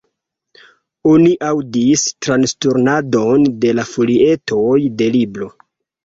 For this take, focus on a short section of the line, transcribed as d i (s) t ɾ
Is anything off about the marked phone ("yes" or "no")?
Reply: no